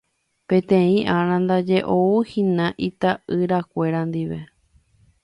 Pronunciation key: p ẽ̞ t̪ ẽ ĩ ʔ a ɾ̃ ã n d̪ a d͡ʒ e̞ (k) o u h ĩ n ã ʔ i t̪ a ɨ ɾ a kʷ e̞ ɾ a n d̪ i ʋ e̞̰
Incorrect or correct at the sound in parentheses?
incorrect: ʔ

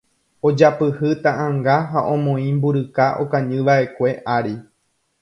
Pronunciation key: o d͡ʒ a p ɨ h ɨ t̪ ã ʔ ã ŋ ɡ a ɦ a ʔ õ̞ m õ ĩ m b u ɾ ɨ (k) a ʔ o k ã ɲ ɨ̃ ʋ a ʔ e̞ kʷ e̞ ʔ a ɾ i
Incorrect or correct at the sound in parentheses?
correct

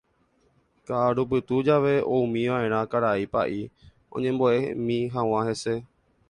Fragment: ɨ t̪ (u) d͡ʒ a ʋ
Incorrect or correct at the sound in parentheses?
correct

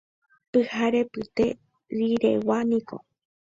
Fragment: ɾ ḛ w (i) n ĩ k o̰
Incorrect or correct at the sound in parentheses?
incorrect: a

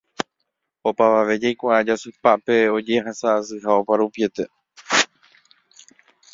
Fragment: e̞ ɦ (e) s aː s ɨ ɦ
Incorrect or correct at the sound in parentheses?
incorrect: a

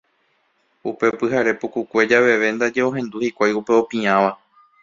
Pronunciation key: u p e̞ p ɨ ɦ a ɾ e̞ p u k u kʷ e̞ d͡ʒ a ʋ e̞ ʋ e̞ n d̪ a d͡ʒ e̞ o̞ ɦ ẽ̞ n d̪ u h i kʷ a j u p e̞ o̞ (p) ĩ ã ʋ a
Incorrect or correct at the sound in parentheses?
correct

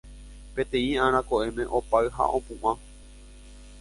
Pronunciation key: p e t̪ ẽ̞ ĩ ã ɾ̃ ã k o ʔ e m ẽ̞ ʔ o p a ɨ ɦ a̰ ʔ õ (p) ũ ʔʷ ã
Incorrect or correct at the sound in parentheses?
correct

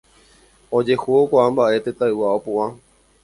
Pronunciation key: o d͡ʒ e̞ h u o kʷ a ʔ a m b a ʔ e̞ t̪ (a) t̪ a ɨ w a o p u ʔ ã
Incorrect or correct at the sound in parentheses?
incorrect: e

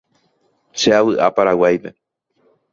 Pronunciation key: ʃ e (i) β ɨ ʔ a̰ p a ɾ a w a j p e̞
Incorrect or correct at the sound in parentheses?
incorrect: a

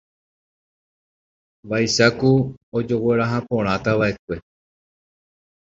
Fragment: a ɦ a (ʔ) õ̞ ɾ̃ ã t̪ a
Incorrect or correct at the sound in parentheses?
incorrect: p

